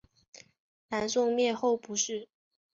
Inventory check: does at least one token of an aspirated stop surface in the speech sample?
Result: no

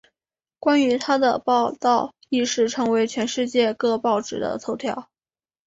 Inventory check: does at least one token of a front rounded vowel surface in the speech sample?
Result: yes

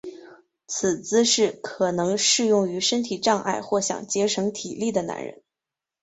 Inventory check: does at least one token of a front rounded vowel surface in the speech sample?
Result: yes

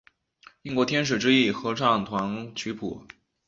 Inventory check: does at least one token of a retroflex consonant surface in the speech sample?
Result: yes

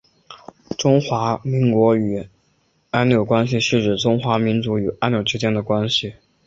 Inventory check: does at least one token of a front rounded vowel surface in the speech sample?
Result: yes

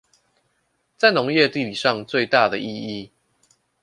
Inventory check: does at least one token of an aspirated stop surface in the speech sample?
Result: no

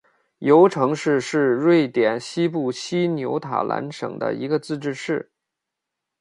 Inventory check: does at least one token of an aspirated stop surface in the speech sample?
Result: yes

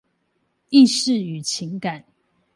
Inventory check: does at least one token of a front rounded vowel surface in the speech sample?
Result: yes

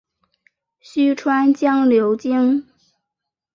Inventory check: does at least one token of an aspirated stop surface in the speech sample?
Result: yes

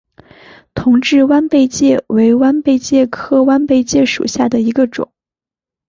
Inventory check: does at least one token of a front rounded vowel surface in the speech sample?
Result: no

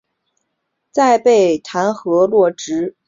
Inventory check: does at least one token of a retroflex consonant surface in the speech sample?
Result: yes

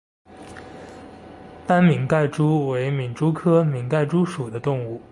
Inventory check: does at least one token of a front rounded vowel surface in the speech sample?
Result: no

